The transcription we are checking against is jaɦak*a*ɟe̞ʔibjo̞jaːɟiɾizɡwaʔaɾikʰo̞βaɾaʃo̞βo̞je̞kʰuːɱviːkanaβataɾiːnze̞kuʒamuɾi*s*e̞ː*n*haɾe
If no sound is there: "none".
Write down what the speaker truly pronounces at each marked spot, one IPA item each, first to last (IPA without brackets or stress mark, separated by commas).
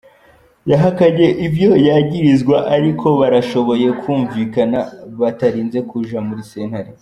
a, s, n